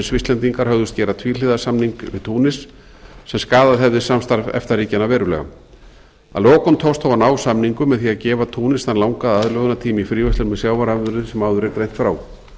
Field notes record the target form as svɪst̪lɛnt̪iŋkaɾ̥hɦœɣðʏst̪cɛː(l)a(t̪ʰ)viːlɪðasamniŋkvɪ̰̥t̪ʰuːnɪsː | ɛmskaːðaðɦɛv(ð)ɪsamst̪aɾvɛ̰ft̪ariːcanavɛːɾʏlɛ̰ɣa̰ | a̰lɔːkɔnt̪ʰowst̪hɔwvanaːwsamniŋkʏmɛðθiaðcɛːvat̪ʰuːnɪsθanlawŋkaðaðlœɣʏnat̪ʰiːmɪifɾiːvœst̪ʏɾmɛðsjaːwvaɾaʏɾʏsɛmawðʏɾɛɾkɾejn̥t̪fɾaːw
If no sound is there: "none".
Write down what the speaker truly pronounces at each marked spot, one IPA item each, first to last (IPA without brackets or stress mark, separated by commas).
ɾ, t̪ʰ, ð